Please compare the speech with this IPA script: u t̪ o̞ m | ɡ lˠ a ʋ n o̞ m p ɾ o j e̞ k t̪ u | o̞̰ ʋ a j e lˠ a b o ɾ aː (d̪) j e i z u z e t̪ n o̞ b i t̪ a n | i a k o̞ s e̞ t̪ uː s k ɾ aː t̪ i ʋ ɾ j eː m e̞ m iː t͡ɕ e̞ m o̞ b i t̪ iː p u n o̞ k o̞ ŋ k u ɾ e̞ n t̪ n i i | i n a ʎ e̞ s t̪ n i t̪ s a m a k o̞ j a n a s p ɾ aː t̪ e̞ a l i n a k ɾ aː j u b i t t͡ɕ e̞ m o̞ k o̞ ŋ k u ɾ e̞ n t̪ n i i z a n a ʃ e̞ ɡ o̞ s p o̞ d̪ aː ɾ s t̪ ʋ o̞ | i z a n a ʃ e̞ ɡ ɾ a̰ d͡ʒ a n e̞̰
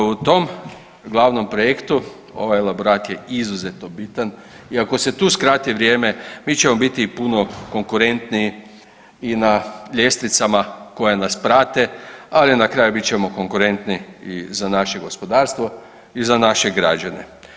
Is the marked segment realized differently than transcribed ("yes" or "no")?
yes